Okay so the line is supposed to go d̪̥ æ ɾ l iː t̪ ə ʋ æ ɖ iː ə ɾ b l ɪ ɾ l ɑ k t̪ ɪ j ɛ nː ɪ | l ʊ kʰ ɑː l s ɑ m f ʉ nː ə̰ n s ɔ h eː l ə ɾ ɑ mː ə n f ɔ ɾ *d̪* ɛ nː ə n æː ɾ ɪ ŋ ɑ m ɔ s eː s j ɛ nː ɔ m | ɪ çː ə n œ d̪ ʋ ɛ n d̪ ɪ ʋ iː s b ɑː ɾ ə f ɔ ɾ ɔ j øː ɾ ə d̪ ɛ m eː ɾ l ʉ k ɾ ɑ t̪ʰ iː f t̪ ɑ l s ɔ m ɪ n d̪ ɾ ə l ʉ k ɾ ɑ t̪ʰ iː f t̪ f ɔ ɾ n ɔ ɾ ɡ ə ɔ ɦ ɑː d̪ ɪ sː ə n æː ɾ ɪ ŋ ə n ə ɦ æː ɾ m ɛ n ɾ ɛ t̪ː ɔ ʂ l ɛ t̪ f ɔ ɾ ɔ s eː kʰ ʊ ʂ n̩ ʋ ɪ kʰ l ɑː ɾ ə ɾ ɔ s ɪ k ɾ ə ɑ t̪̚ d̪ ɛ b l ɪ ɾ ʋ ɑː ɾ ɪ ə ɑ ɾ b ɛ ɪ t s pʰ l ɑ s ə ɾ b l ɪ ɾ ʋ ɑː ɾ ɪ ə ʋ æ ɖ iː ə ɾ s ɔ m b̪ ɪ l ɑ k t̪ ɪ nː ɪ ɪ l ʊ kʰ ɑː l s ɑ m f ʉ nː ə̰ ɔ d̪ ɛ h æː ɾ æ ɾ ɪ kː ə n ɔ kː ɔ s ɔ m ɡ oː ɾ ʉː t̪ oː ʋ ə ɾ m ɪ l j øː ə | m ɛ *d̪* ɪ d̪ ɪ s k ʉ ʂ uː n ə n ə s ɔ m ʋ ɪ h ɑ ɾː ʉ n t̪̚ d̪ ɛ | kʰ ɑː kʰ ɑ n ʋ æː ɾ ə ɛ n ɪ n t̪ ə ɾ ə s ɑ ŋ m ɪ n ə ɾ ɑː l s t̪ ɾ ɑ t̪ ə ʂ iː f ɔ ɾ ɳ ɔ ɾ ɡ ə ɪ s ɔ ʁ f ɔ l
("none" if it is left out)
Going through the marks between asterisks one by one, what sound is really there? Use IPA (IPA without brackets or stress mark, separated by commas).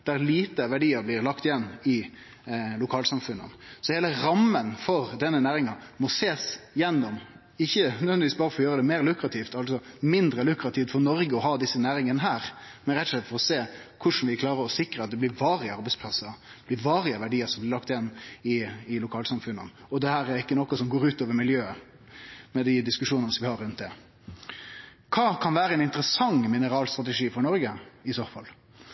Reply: d̪, d̪